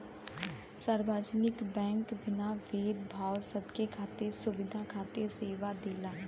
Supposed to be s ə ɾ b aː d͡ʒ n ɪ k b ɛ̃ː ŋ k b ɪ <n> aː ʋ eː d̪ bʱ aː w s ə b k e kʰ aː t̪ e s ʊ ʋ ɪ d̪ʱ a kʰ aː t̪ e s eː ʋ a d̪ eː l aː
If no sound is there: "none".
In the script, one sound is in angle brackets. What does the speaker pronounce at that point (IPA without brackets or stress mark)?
n